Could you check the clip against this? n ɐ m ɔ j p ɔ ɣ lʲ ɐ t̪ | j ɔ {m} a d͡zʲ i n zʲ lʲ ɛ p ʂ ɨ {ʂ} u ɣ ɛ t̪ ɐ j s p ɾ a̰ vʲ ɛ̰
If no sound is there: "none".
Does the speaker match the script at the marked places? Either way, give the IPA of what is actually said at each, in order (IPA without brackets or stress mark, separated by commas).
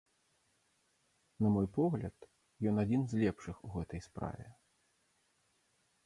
n, x